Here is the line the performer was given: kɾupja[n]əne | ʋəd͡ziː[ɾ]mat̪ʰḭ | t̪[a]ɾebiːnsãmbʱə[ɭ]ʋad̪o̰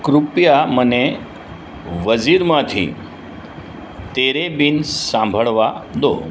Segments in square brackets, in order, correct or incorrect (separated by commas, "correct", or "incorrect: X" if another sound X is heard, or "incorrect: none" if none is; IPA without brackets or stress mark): incorrect: m, correct, incorrect: e, correct